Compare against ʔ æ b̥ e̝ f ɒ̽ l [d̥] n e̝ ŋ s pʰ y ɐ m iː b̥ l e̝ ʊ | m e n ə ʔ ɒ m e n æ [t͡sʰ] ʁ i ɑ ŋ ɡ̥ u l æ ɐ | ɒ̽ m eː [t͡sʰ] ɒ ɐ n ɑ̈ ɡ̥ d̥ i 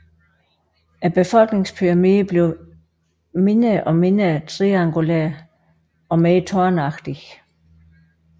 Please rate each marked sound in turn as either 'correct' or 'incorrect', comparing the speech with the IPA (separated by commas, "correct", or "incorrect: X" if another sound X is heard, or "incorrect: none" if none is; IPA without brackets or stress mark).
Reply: incorrect: ɡ̥, correct, correct